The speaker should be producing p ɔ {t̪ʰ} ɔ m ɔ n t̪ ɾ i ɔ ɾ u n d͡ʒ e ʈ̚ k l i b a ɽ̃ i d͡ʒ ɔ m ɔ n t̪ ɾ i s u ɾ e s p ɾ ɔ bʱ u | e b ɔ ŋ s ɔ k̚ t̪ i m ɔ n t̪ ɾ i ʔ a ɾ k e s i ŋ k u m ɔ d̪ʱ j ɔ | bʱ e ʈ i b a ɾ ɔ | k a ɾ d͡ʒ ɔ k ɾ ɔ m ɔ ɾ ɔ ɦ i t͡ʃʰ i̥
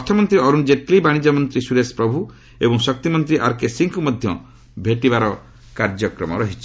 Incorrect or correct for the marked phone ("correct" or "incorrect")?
correct